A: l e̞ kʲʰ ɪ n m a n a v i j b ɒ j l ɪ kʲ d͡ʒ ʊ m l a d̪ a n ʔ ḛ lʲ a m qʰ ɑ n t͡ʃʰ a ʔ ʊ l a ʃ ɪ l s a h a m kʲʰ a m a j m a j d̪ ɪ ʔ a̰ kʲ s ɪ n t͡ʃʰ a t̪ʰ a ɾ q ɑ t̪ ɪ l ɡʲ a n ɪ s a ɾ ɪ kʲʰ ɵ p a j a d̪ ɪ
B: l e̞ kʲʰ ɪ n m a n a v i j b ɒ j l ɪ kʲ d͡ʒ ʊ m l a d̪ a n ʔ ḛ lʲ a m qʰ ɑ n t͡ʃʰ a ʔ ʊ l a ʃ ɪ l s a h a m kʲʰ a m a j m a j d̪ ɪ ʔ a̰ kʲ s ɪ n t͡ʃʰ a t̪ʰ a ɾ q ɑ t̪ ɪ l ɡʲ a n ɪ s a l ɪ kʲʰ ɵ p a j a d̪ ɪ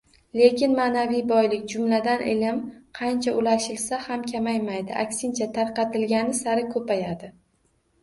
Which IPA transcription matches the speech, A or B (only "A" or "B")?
A